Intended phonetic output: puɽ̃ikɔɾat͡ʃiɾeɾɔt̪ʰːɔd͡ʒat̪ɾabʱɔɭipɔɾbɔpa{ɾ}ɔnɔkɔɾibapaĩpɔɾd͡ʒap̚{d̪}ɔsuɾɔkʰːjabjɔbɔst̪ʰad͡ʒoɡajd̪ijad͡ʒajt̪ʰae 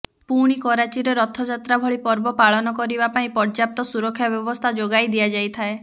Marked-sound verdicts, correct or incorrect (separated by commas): incorrect, incorrect